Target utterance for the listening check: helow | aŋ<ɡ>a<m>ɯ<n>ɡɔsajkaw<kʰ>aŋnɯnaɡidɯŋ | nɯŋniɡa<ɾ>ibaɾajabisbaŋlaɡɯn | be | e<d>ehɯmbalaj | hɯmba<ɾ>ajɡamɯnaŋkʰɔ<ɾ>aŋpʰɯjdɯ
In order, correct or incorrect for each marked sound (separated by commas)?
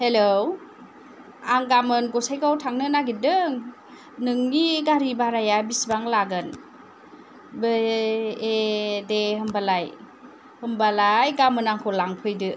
correct, correct, correct, incorrect, correct, correct, incorrect, incorrect